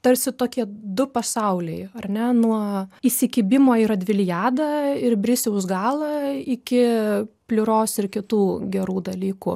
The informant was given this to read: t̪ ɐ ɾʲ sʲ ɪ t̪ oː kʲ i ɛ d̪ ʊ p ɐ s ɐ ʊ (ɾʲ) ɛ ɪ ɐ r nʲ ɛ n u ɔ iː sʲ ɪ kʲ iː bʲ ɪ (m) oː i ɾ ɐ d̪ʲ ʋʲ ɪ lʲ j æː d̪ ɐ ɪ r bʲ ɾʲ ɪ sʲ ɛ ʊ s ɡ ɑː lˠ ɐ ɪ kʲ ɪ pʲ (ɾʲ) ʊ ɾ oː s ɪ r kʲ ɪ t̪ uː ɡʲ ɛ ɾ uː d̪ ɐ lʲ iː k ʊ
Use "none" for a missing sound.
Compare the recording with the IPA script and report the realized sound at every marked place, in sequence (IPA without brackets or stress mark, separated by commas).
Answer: lʲ, m, lʲ